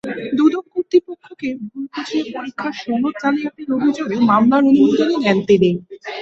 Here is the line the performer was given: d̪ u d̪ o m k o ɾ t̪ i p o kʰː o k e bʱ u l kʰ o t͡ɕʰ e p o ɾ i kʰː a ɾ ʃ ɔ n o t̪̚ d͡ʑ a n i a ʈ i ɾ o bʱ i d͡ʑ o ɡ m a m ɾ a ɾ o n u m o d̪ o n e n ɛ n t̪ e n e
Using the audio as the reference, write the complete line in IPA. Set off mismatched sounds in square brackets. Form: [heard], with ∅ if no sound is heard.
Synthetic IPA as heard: d̪ u d̪ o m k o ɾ t̪ i p o kʰː o k e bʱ u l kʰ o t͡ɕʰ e p o ɾ i kʰː a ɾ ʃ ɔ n o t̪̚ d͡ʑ a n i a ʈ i ɾ o bʱ i d͡ʑ o ɡ m a m [l] a ɾ o n u m o d̪ o n e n ɛ n t̪ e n e